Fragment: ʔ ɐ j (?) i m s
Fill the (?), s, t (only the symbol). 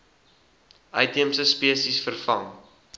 t